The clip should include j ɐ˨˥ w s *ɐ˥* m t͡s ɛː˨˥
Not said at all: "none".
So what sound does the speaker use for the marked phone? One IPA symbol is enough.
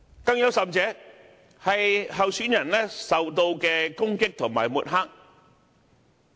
ɐ˨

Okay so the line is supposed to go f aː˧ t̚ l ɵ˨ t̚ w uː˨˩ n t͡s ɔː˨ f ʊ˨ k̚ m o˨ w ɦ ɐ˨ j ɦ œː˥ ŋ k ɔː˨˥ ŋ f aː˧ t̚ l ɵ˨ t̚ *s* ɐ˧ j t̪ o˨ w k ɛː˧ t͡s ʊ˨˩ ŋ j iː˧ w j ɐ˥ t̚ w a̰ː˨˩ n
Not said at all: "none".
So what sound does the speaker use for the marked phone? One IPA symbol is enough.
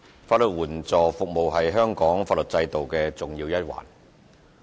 t͡s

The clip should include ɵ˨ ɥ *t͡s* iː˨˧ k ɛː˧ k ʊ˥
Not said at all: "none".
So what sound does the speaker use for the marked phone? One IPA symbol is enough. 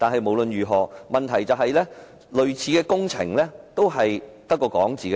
t͡sʰ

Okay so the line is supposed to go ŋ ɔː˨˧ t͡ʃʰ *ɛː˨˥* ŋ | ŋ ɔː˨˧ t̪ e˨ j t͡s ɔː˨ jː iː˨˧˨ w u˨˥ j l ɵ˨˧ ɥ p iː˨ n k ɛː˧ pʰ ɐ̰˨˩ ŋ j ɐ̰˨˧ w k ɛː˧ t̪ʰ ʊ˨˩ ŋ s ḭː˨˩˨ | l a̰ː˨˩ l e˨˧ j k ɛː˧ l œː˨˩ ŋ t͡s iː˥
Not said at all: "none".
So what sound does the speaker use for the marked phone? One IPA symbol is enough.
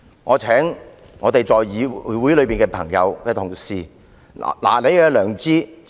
ɛː˨˥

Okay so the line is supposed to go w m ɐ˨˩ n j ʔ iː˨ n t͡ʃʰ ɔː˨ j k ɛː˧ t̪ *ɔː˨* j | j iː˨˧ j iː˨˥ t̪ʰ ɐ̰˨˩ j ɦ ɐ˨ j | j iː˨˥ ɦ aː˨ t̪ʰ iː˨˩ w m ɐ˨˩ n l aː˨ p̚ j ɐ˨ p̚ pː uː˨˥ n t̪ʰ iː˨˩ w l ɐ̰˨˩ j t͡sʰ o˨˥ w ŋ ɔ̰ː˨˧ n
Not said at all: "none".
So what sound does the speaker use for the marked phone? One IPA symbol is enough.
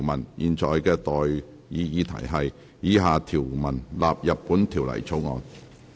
ɔː˨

